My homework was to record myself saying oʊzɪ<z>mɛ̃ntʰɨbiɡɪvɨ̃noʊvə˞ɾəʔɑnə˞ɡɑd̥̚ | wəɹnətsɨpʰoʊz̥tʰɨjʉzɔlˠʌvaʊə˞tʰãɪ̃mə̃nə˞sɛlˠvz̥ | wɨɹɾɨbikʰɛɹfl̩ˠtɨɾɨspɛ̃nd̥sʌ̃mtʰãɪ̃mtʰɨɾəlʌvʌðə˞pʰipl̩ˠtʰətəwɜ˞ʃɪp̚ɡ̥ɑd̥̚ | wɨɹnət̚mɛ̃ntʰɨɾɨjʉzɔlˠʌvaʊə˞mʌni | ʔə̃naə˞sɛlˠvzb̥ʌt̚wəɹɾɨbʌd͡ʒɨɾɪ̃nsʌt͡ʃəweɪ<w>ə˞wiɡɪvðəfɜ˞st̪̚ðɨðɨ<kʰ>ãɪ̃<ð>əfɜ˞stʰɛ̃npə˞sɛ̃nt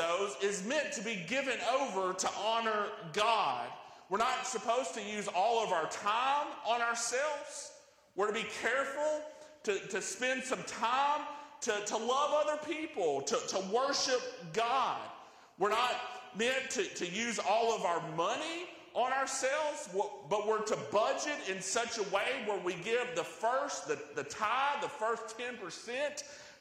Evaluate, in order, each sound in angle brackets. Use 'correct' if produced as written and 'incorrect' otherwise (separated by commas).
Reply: correct, correct, incorrect, correct